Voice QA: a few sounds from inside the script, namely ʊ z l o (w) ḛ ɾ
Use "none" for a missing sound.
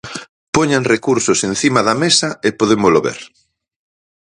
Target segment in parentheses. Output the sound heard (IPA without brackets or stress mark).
β